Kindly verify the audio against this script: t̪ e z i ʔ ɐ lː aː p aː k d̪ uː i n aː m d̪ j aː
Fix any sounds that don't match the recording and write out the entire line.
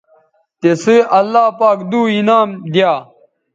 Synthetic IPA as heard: t̪ e s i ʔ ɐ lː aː p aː k d̪ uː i n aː m d̪ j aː